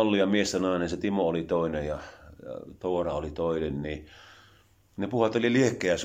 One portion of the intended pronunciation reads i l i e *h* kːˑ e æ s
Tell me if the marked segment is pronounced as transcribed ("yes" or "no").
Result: yes